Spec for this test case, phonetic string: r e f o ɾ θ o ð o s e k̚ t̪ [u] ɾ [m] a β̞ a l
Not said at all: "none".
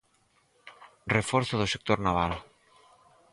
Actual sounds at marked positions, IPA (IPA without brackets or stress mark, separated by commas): o, n